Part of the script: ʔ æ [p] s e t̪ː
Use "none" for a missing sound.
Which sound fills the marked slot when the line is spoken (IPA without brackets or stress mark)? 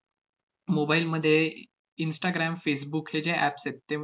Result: p